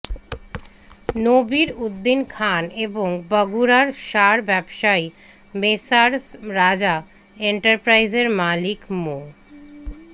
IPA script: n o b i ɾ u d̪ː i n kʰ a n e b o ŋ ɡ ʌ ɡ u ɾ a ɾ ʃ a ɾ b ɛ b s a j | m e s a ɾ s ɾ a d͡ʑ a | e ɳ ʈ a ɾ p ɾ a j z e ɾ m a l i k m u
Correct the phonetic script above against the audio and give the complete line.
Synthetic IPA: n o b i ɾ u d̪ː i n kʰ a n e b o ŋ b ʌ ɡ u ɾ a ɾ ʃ a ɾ b ɛ b ʃ a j | m e s a ɾ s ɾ a d͡ʑ a | e ɳ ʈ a ɾ p ɾ a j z e ɾ m a l i k m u